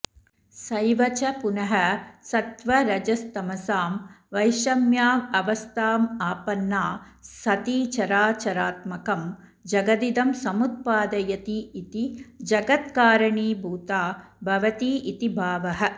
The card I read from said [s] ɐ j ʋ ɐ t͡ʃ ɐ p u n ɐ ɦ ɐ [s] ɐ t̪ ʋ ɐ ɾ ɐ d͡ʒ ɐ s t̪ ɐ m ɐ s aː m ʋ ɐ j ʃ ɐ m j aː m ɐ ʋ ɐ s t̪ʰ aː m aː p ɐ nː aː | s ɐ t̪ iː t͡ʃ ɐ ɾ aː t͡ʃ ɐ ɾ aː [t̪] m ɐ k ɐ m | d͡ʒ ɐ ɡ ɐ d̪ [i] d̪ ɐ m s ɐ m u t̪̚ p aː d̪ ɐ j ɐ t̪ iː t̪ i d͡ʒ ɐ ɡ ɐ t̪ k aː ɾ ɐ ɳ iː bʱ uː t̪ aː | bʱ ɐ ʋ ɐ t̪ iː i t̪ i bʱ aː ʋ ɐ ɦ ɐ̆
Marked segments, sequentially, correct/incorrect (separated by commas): correct, correct, correct, correct